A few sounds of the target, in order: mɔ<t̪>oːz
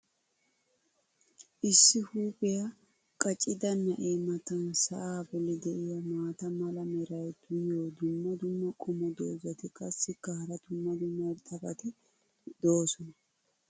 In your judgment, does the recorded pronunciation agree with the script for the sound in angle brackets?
no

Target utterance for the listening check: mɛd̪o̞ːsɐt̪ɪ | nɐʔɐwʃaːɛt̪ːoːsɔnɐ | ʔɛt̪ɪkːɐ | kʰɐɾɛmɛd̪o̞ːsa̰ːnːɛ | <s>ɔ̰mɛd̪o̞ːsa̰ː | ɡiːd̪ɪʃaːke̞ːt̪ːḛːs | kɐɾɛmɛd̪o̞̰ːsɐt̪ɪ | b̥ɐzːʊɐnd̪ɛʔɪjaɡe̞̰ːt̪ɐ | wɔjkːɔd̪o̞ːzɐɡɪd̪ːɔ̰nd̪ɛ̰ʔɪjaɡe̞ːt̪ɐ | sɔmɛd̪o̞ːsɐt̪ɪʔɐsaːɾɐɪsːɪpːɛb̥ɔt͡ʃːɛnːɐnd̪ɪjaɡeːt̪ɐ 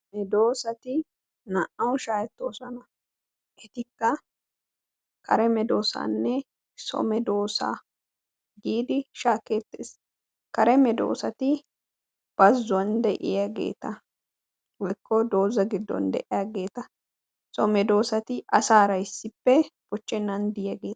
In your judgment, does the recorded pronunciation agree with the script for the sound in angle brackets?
yes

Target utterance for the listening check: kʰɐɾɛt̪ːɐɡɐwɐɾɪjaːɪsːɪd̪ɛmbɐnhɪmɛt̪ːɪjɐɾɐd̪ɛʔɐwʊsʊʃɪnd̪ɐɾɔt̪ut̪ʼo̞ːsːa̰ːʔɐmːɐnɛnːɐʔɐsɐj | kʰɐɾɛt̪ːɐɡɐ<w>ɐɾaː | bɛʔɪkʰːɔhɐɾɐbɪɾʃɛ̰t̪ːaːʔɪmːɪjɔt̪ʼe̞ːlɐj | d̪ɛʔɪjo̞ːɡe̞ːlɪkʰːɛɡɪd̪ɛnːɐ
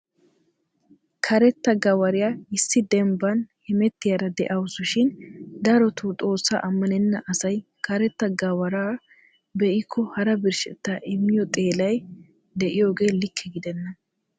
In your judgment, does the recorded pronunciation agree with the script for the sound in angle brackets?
yes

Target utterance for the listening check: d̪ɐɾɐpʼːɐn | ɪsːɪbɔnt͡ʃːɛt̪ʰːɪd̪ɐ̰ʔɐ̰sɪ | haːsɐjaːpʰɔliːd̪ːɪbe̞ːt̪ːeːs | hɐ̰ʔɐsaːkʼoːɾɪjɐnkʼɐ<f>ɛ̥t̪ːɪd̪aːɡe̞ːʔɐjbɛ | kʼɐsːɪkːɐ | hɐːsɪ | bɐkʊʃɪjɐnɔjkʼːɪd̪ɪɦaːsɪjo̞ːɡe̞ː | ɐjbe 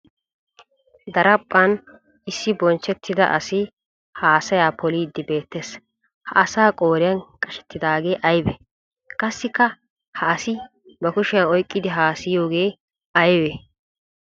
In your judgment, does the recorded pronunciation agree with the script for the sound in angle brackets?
no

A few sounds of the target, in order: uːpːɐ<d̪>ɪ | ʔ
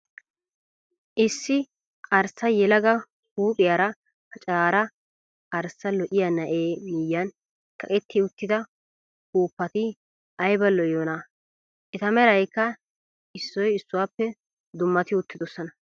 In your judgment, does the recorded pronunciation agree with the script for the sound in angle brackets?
no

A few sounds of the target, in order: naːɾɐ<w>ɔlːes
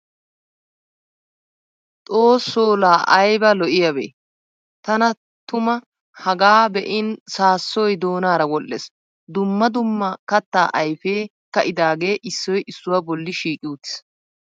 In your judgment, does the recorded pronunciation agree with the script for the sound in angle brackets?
yes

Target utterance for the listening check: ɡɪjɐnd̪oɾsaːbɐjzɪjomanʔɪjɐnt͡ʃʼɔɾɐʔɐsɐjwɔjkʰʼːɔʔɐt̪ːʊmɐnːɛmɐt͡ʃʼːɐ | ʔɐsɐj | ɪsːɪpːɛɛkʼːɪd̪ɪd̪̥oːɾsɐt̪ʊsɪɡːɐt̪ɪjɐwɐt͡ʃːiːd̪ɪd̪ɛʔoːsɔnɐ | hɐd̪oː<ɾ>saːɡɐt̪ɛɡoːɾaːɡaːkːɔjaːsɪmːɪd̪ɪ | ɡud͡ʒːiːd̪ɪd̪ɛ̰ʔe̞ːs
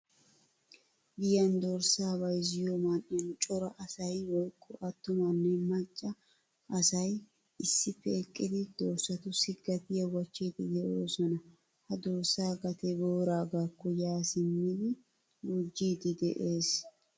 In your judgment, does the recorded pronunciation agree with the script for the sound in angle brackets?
yes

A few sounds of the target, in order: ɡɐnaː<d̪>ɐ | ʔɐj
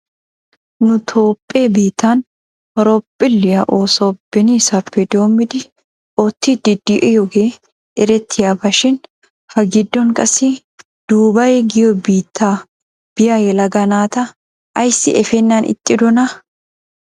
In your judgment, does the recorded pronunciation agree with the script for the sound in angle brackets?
no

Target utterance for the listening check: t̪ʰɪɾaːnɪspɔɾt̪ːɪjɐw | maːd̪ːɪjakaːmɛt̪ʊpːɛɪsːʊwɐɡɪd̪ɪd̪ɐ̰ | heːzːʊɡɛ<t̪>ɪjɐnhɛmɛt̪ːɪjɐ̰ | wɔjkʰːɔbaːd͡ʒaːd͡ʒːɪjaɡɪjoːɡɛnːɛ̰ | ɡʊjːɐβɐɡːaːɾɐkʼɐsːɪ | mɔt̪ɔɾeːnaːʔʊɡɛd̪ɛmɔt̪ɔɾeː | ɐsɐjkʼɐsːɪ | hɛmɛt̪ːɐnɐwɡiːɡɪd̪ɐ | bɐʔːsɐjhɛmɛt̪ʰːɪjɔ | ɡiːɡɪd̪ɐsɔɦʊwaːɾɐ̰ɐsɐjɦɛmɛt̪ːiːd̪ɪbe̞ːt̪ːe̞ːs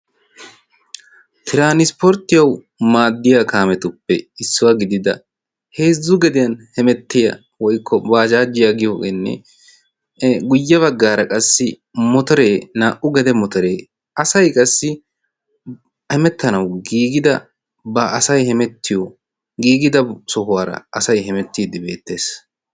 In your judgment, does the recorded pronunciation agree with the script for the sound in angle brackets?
no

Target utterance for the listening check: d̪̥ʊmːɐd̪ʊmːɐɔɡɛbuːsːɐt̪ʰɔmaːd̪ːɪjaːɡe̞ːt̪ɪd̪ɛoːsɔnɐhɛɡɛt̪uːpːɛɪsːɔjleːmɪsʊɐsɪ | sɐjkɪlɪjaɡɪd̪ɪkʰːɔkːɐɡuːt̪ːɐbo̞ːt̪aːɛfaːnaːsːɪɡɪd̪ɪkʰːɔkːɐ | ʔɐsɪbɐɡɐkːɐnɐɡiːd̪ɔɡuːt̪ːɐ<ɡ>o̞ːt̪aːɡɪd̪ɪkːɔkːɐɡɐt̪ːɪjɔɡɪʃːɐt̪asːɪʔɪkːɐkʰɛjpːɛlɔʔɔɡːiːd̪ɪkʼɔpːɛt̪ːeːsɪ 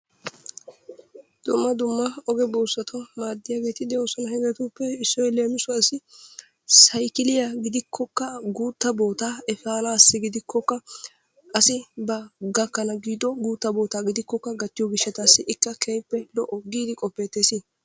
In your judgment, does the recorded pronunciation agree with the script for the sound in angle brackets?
no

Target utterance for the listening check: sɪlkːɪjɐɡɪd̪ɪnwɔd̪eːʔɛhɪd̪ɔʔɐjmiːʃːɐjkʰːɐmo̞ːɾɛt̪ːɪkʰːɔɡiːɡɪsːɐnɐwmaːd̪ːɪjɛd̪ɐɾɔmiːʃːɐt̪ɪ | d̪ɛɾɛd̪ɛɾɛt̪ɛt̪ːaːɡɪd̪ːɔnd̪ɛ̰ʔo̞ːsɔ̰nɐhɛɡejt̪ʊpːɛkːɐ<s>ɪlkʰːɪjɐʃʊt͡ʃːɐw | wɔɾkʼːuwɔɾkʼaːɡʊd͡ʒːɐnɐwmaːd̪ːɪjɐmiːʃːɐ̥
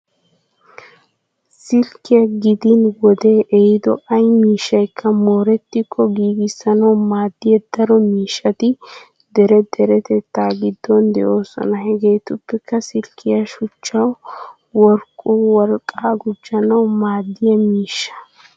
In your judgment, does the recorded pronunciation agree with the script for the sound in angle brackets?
yes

